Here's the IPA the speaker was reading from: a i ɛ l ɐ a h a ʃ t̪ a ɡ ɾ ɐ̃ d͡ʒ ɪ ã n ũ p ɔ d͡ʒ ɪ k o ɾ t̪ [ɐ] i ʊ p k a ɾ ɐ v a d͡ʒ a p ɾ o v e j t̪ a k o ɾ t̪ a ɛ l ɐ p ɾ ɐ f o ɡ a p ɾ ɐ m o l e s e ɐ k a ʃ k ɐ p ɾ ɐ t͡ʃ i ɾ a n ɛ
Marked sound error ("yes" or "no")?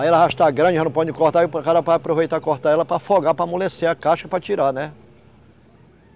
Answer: yes